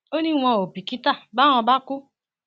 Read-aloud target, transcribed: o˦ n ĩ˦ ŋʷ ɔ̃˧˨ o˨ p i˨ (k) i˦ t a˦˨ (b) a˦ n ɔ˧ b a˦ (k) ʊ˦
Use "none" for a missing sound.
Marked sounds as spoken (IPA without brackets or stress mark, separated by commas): k, b, k